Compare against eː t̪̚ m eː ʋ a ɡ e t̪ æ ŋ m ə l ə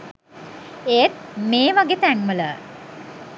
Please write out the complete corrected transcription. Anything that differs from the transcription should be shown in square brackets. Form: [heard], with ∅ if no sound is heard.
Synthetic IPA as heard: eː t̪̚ m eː ʋ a ɡ e t̪ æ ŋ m ə l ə